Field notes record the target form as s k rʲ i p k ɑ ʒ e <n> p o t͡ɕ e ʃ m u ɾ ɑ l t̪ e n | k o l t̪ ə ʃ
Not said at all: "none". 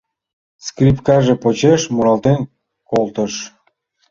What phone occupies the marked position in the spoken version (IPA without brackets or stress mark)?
none